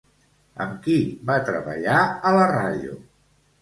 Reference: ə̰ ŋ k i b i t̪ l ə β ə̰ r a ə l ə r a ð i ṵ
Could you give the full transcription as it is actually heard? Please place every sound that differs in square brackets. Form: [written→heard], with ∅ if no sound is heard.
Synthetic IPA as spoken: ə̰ [ŋ→m] k i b [i→a] t̪ [l→ɾ] ə β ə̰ [r→ʎ] a ə l ə r a ð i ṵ